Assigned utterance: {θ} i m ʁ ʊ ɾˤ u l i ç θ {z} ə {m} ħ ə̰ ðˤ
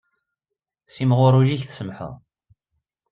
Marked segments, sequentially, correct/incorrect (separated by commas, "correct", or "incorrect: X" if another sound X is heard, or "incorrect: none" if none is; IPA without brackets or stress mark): incorrect: s, incorrect: s, correct